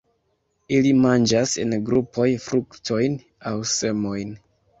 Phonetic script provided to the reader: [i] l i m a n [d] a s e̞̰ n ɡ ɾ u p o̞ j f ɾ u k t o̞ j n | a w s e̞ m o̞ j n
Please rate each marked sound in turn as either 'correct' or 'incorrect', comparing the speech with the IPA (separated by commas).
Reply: correct, incorrect